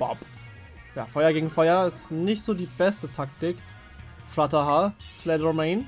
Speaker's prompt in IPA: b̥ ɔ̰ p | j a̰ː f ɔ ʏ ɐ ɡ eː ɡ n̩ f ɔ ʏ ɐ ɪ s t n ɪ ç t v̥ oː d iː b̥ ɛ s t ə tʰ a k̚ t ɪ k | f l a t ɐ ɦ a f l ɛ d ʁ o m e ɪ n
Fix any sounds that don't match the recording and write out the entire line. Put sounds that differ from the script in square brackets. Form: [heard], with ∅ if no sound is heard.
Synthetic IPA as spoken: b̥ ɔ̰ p | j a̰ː f ɔ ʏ ɐ ɡ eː ɡ [ŋ̩] f ɔ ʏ ɐ ɪ s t n ɪ ç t [z̥] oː d iː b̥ ɛ s t ə tʰ a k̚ t ɪ k | f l a t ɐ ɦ a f l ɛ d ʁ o m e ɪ n